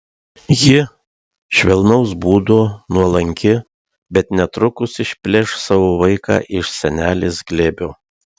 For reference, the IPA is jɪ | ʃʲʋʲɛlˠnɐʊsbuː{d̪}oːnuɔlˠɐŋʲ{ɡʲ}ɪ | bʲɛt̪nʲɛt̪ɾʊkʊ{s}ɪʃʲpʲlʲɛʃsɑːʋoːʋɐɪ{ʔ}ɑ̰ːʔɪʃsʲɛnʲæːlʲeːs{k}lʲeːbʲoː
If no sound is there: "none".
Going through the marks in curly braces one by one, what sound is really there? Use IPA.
d̪, kʲ, s, k, ɡ

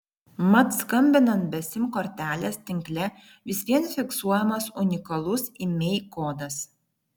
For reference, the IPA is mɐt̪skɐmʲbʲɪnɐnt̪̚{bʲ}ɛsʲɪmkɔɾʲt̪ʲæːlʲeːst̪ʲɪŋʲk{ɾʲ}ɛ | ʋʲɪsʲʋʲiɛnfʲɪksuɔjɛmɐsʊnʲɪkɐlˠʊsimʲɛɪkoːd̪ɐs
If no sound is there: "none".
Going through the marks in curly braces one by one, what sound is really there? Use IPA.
bʲ, lʲ

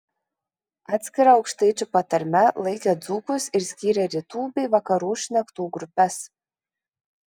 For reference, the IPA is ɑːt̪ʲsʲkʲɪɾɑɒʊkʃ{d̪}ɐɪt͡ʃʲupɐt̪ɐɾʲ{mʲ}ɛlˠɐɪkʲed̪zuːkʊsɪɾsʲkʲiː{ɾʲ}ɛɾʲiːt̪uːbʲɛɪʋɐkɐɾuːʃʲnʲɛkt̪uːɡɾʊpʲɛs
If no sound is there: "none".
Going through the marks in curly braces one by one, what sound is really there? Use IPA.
t̪, mʲ, ɾʲ

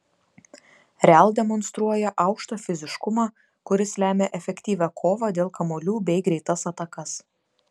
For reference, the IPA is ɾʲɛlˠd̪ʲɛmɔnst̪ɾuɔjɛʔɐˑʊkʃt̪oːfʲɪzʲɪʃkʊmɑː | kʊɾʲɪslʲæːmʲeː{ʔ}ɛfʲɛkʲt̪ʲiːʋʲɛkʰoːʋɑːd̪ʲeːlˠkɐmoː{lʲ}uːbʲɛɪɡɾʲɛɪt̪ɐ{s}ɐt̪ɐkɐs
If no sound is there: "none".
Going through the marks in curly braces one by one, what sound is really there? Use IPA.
ʔ, lʲ, s

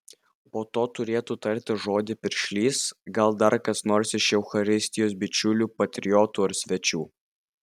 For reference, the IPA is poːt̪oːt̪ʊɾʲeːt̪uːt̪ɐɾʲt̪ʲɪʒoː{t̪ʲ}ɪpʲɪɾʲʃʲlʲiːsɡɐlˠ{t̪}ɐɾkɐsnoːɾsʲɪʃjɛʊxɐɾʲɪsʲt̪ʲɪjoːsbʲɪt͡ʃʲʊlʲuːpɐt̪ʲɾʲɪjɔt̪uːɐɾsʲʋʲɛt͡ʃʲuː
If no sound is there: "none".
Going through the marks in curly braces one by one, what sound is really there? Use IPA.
d̪ʲ, d̪

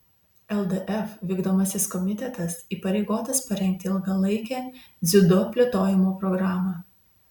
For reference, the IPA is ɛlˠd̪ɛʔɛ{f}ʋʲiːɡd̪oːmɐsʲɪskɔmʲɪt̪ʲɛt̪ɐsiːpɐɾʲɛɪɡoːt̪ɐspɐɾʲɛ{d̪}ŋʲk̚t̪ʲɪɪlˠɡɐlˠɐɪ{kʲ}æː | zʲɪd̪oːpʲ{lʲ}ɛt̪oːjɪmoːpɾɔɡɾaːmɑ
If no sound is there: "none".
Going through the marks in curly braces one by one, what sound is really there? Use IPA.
f, none, kʲ, lʲ

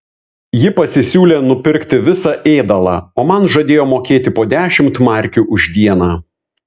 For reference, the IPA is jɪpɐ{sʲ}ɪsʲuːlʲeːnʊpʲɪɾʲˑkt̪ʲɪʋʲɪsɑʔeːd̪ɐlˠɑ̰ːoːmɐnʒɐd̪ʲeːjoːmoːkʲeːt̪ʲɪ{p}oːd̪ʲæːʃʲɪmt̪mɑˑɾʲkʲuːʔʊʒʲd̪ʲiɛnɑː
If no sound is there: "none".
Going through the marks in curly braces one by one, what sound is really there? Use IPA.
sʲ, p

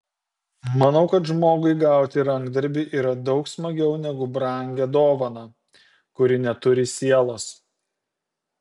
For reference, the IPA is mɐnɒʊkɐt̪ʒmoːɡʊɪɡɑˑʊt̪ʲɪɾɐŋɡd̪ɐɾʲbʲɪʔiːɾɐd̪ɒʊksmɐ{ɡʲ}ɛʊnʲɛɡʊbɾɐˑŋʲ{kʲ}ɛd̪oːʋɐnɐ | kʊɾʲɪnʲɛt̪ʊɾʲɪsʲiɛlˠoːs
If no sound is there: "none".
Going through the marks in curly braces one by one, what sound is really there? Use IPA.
ɡʲ, ɡʲ

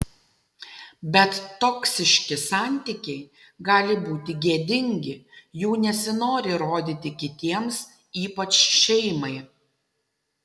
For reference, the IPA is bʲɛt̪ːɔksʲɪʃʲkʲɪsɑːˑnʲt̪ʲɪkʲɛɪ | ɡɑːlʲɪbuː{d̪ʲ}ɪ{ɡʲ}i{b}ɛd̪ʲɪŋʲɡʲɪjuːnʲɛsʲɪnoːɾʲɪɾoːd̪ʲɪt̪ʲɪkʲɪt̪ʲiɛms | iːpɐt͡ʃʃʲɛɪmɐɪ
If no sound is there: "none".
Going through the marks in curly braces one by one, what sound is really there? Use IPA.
t̪ʲ, ɡʲ, none

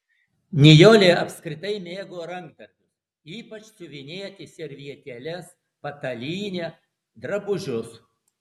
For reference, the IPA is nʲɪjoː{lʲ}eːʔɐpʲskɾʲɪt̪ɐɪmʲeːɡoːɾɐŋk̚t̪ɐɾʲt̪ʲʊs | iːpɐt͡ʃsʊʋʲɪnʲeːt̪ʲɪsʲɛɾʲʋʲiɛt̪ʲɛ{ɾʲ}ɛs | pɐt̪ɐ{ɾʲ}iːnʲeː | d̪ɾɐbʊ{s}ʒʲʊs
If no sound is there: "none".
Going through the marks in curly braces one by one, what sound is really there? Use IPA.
lʲ, lʲ, lʲ, none

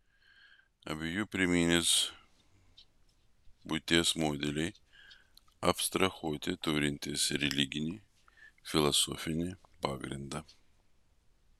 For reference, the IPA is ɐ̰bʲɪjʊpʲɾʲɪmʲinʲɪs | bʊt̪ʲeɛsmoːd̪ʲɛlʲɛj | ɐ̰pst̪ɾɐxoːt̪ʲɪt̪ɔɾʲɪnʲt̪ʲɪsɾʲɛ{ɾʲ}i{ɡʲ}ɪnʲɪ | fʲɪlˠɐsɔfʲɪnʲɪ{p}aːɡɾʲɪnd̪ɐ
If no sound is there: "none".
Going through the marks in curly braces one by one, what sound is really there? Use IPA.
lʲ, ɡʲ, p

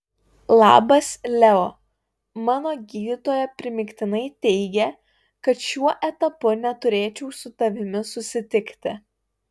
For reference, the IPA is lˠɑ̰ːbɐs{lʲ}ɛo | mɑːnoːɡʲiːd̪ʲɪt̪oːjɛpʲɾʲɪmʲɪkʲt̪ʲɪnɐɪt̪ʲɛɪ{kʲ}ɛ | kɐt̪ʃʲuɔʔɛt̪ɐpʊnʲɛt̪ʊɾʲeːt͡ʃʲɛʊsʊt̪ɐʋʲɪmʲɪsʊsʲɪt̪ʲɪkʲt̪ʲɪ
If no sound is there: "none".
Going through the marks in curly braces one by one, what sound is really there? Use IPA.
lʲ, ɡʲ

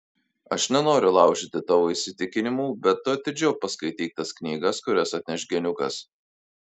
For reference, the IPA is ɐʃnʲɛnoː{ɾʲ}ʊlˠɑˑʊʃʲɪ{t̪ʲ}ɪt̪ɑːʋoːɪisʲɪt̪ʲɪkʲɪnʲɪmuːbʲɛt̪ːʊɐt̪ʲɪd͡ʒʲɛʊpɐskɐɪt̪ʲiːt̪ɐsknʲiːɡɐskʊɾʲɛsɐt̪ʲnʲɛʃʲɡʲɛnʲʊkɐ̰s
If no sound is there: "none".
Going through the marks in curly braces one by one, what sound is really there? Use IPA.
ɾʲ, t̪ʲ

